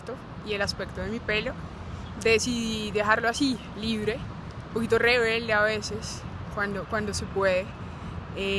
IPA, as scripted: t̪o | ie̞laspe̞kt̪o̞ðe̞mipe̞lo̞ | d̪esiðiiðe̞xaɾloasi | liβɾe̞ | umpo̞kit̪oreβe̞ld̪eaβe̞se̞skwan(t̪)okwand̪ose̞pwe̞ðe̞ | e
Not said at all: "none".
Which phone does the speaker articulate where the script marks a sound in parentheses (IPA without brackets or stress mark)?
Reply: d̪